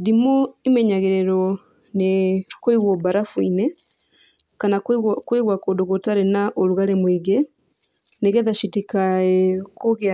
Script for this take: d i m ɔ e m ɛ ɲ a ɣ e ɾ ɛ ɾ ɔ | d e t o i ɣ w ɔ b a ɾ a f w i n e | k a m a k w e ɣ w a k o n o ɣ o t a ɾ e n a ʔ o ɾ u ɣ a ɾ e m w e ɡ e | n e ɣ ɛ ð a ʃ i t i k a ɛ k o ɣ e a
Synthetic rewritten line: d i m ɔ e m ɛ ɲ a ɣ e ɾ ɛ ɾ ɔ | n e k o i ɣ w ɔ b a ɾ a f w i n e | k a n a k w e ɣ w a k o d o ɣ o t a ɾ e n a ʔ o ɾ u ɣ a ɾ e m w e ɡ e | n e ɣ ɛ ð a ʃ i t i k a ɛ k o ɣ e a